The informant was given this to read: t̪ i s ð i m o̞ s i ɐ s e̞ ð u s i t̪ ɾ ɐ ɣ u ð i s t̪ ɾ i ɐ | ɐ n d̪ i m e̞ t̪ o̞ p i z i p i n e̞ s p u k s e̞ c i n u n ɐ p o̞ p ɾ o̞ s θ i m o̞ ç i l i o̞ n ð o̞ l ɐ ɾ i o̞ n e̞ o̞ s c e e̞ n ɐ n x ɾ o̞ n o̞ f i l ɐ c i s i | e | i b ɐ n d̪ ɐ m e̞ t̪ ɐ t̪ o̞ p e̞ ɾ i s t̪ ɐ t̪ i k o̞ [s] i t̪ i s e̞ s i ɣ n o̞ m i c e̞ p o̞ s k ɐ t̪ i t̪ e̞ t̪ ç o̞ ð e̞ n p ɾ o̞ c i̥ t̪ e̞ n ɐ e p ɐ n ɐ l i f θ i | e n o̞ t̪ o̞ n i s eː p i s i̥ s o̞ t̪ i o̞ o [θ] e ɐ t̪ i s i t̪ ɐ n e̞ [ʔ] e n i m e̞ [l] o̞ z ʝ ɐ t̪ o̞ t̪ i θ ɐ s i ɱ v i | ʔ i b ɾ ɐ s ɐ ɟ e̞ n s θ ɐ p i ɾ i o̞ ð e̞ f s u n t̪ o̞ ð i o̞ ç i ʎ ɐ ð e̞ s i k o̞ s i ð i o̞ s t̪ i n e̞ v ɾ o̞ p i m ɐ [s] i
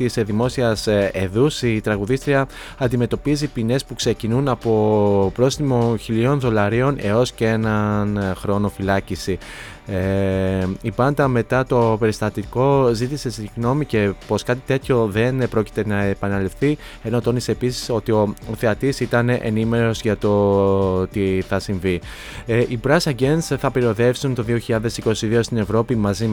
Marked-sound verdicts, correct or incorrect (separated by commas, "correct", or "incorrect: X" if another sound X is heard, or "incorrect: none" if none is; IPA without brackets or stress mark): incorrect: z, correct, correct, incorrect: ɾ, incorrect: z